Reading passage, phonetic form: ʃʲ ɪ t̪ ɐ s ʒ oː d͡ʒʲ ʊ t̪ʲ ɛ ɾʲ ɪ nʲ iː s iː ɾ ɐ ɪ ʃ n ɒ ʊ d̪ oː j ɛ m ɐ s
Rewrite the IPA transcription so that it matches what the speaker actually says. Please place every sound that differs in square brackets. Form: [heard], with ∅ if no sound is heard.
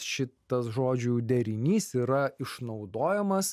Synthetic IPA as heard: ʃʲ ɪ t̪ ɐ s ʒ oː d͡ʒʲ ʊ [d̪ʲ] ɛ ɾʲ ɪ nʲ iː s iː ɾ ɐ ɪ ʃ n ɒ ʊ d̪ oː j ɛ m ɐ s